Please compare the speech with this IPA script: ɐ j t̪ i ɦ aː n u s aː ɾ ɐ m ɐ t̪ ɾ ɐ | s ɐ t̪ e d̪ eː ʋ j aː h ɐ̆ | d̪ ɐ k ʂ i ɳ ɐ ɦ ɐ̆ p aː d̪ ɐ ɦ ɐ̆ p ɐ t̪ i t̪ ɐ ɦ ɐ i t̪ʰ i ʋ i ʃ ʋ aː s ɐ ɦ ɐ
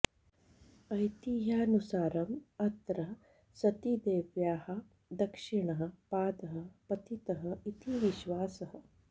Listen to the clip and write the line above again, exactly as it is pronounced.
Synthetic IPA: ɐ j t̪ i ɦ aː n u s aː ɾ ɐ m ɐ t̪ ɾ ɐ | s ɐ t̪ i d̪ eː ʋ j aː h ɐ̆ | d̪ ɐ k ʂ i ɳ ɐ ɦ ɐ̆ p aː d̪ ɐ ɦ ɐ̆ p ɐ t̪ i t̪ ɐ ɦ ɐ i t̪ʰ i ʋ i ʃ ʋ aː s ɐ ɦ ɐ

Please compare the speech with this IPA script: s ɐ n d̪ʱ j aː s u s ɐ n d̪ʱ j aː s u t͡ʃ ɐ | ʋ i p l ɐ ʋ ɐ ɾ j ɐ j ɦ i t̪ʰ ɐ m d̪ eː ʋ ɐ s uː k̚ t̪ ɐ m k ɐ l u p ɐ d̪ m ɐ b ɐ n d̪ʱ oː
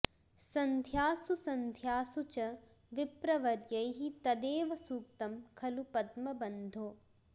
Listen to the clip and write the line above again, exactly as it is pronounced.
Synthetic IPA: s ɐ n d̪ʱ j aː s u s ɐ n d̪ʱ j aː s u t͡ʃ ɐ | ʋ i p ɾ ɐ ʋ ɐ ɾ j ɐ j ɦ i t̪ ɐ d̪ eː ʋ ɐ s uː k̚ t̪ ɐ m kʰ ɐ l u p ɐ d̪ m ɐ b ɐ n d̪ʱ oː

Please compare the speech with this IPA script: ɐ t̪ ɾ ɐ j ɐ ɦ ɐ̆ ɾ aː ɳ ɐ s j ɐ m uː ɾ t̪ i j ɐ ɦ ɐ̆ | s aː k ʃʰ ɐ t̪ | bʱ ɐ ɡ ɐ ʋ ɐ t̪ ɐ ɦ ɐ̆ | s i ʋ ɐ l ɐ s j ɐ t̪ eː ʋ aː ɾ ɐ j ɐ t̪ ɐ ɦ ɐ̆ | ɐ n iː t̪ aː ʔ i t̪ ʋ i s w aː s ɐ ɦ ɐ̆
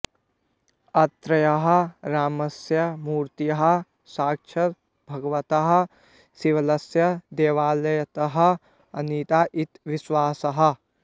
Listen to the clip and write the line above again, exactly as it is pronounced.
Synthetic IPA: ɐ t̪ ɾ ɐ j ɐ ɦ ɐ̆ ɾ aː m ɐ s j ɐ m uː ɾ t̪ i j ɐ ɦ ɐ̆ | s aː k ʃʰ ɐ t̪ | bʱ ɐ ɡ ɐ ʋ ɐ t̪ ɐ ɦ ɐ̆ | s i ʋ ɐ l ɐ s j ɐ d̪ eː ʋ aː l ɐ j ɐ t̪ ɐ ɦ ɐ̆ | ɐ n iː t̪ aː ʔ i t̪ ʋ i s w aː s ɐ ɦ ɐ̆

